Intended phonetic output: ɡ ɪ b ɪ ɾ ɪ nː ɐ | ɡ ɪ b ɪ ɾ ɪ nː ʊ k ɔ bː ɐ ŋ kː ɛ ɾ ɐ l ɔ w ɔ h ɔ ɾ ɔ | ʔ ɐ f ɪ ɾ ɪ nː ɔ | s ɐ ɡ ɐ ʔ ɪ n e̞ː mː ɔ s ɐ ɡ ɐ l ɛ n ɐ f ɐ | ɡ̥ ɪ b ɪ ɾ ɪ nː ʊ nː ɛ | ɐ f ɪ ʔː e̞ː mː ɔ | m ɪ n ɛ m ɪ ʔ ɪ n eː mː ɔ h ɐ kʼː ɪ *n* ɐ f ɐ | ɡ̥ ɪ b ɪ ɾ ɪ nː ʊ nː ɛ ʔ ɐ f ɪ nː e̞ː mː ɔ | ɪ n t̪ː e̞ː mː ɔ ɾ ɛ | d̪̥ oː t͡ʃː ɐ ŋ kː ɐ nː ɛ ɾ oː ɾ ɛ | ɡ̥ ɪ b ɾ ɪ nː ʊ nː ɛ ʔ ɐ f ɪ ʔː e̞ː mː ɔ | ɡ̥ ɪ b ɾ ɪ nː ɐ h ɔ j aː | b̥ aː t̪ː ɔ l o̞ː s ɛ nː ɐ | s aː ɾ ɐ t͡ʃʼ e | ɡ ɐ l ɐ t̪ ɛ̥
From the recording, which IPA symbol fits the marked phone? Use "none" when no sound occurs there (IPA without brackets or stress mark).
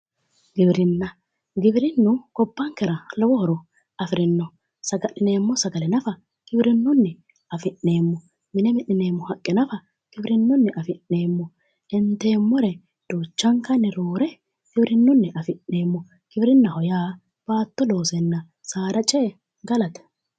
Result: n